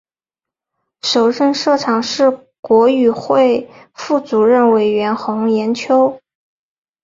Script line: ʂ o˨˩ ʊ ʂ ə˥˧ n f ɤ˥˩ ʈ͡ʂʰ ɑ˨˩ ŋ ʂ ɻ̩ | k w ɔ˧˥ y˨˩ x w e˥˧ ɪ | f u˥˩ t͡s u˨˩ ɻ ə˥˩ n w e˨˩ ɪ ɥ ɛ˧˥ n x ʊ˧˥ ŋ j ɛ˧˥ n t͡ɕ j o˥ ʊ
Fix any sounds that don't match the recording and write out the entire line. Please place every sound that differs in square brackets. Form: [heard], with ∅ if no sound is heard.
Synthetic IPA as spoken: ʂ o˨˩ ʊ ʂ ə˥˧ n [ʂ] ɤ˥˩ ʈ͡ʂʰ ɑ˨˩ ŋ ʂ ɻ̩ | k w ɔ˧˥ y˨˩ x w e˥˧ ɪ | f u˥˩ t͡s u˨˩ ɻ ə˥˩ n w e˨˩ ɪ ɥ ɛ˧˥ n x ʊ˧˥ ŋ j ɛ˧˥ n [t͡ɕʰ] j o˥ ʊ